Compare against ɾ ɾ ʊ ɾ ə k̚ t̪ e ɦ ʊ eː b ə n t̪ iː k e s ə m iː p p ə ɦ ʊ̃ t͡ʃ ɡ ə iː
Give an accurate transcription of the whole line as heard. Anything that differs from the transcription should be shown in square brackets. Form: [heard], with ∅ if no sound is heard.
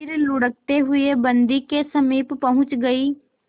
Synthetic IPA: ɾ [l] ʊ [ɽ] ə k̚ t̪ e ɦ ʊ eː b ə n [d̪] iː k e s ə m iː p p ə ɦ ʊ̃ t͡ʃ ɡ ə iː